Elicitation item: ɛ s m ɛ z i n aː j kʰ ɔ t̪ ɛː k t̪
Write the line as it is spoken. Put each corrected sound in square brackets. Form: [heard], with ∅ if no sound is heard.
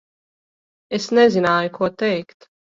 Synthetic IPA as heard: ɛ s [n] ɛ z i n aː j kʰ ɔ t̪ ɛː k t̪